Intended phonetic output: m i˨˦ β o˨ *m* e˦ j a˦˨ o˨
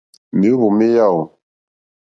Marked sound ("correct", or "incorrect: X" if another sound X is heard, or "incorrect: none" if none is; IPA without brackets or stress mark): correct